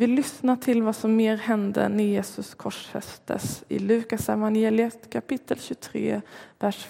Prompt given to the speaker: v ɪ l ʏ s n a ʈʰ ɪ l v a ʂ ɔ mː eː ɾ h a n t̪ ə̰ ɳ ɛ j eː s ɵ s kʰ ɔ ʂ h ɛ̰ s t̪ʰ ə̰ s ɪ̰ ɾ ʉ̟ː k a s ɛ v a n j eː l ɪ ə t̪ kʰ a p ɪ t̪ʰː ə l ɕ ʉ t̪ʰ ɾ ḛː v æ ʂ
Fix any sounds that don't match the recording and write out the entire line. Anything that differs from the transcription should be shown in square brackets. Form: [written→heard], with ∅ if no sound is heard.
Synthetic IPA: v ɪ l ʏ s n a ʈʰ ɪ l v a [ʂ→s] ɔ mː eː ɾ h [a→ɛ] n [t̪→d̪] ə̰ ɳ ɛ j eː s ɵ s kʰ ɔ ʂ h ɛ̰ s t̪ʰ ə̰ s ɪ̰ [ɾ→l] ʉ̟ː k a s ɛ v a n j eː l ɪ ə t̪ kʰ a p ɪ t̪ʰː ə l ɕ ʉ t̪ʰ ɾ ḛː v æ ʂ